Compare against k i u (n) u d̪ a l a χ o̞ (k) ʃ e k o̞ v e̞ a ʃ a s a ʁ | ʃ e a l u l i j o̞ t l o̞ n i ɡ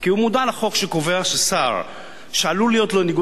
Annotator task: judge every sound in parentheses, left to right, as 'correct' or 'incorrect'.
incorrect: m, correct

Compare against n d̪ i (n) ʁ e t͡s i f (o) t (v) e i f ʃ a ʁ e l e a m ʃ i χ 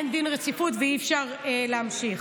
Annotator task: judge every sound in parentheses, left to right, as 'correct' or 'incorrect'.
correct, incorrect: u, correct

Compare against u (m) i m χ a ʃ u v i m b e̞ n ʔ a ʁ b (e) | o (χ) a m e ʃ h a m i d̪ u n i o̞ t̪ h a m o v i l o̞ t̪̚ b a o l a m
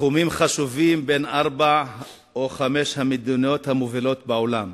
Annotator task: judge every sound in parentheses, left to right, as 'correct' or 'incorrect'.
correct, incorrect: a, correct

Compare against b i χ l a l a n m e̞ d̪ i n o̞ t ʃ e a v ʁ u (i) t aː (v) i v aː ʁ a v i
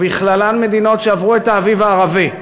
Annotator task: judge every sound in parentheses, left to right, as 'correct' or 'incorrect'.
incorrect: e, correct

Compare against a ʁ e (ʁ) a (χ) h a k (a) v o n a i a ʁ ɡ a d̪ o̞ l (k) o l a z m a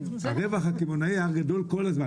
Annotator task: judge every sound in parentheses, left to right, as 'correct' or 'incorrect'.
incorrect: v, correct, incorrect: i, correct

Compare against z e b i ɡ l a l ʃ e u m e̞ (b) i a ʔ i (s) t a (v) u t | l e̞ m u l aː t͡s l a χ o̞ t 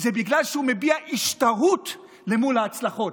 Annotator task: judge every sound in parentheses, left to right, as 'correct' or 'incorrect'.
correct, incorrect: ʃ, incorrect: ʁ

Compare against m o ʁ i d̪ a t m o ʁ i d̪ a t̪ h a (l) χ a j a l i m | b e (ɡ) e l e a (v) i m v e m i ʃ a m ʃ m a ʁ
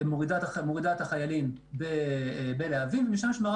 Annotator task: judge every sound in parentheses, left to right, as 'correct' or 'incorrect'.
incorrect: none, incorrect: b, correct

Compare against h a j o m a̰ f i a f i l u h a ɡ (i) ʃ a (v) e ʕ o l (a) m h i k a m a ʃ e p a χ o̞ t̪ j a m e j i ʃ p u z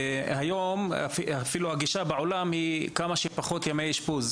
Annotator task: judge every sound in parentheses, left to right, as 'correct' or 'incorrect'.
correct, incorrect: b, correct

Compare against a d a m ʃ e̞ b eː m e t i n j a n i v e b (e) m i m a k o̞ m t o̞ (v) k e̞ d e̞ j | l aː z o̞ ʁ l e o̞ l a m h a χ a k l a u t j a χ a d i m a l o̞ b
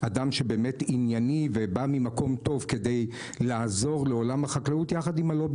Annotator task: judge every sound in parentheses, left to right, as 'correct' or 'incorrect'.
incorrect: a, correct

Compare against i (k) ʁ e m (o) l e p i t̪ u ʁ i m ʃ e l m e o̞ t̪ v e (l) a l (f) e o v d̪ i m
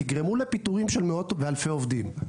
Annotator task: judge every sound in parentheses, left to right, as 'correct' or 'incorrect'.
incorrect: ɡ, incorrect: u, incorrect: none, correct

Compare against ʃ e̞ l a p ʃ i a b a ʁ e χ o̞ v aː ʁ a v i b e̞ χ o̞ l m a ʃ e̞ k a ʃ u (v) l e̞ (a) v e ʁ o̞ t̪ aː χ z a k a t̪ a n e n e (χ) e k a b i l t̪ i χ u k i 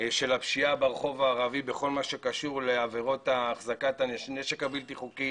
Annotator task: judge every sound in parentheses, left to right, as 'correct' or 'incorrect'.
incorrect: ʁ, correct, incorrect: ʃ

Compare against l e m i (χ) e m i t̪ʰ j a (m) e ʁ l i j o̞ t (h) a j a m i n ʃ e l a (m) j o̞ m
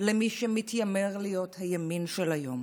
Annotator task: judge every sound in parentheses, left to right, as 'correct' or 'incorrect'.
incorrect: ʃ, correct, correct, incorrect: none

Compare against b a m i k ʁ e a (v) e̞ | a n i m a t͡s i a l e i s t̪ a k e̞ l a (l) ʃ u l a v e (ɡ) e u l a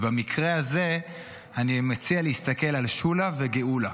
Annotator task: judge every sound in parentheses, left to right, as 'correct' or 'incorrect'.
incorrect: z, correct, correct

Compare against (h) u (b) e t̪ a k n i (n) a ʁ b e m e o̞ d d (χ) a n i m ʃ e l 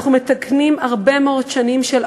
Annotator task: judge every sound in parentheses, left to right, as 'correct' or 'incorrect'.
incorrect: χ, incorrect: m, incorrect: m, incorrect: ʃ

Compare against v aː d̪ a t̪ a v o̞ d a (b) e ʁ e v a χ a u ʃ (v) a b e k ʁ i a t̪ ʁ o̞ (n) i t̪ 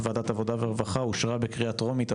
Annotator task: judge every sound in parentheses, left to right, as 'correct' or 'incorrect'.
incorrect: v, incorrect: ʁ, incorrect: m

